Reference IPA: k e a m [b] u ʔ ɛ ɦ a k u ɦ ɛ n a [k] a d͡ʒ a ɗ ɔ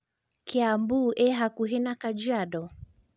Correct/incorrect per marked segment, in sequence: correct, correct

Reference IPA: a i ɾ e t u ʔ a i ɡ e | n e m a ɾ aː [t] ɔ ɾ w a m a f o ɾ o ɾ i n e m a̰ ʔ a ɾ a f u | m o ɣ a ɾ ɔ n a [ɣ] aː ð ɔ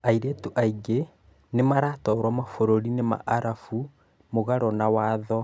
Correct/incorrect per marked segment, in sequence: correct, incorrect: w

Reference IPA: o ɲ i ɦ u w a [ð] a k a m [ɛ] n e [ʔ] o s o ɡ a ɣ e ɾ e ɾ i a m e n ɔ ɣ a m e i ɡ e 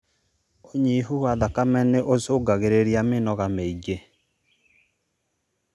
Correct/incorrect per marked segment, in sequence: correct, correct, correct

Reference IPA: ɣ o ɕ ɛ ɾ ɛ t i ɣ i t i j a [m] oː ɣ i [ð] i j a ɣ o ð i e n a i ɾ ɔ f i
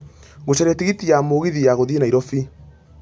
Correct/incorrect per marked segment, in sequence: correct, correct

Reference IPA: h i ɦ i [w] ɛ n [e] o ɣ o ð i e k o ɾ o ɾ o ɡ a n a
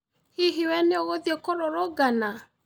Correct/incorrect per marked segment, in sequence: correct, correct

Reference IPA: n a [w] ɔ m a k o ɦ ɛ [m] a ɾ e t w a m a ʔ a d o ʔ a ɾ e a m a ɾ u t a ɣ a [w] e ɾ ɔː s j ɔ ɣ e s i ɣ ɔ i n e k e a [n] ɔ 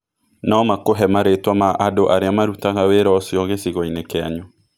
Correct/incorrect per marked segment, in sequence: incorrect: none, correct, correct, incorrect: ɲ

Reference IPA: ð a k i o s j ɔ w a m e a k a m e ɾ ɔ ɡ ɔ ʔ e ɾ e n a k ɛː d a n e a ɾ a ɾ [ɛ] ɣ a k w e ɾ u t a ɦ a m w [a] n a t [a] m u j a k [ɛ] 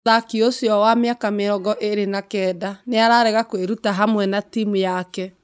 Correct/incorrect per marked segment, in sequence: correct, incorrect: ɛ, incorrect: i, correct

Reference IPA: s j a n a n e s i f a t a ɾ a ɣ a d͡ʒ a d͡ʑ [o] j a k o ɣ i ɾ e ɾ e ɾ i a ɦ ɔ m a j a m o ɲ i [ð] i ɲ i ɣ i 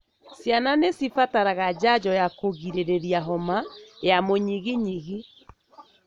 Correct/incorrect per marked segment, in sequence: incorrect: ɔ, incorrect: ɣ

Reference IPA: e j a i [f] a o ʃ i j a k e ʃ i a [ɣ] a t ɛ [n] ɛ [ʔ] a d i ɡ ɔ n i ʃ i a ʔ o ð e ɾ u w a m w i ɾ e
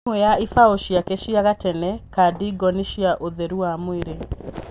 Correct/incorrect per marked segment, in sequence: correct, correct, correct, incorrect: k

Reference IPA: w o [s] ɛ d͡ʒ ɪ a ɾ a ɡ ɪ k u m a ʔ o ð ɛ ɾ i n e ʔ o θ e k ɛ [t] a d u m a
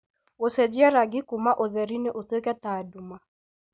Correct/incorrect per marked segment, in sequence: correct, correct

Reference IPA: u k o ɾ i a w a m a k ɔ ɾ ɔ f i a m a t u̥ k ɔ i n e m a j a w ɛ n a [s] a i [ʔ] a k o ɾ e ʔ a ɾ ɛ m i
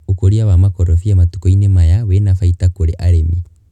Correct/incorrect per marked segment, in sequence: incorrect: f, incorrect: t

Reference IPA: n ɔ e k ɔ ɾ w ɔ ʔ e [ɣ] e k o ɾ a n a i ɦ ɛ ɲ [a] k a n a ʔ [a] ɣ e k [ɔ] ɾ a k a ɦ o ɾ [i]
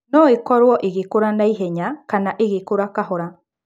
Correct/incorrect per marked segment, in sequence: correct, correct, incorrect: e, incorrect: o, incorrect: a

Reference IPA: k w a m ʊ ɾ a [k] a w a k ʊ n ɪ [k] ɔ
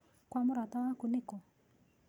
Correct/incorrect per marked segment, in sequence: incorrect: t, correct

